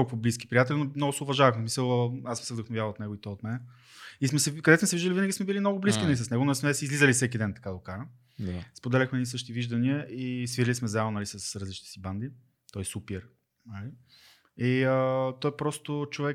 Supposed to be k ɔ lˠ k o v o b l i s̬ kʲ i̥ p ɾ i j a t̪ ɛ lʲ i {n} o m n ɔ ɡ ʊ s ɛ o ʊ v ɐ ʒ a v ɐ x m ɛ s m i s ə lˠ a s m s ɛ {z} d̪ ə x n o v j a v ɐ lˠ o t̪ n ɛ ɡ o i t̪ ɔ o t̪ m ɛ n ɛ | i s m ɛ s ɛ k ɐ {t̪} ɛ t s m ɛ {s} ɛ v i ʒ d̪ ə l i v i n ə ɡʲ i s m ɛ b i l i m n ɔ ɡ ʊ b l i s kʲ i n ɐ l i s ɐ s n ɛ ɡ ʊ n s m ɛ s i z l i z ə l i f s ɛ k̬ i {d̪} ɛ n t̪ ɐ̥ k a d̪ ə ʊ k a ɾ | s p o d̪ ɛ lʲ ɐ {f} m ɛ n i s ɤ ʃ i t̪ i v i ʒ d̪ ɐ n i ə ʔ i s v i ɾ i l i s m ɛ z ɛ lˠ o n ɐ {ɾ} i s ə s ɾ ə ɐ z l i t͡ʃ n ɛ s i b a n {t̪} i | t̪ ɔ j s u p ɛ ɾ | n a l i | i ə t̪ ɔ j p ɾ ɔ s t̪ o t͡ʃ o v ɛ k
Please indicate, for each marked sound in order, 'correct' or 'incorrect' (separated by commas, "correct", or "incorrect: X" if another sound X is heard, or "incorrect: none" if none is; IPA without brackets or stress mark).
correct, incorrect: v, incorrect: d̪, correct, correct, incorrect: x, incorrect: l, incorrect: d̪